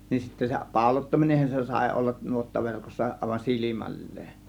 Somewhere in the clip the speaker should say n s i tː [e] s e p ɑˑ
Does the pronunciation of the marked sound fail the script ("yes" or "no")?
yes